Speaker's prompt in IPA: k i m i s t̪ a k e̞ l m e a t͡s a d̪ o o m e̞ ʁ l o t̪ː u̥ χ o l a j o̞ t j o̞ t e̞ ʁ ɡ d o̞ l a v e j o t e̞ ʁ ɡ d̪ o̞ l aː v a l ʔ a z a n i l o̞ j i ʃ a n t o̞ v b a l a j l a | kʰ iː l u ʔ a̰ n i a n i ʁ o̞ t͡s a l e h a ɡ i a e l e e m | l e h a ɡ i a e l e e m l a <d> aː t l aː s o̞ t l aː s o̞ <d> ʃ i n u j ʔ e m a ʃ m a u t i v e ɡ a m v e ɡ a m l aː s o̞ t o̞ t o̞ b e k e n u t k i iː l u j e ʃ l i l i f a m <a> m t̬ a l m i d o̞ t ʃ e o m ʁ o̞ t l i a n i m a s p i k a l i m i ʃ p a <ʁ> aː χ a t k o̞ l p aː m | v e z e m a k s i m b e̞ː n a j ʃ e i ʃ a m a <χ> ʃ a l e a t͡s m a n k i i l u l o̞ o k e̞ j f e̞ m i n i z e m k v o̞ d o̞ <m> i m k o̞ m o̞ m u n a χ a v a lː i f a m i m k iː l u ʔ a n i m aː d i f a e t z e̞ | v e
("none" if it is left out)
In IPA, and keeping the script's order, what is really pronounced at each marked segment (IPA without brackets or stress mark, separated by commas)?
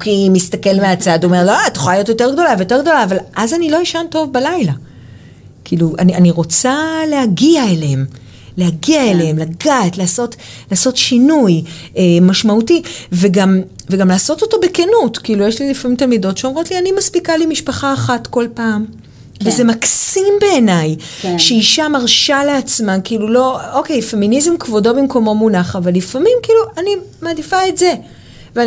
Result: ɡ, t, i, χ, ʁ, b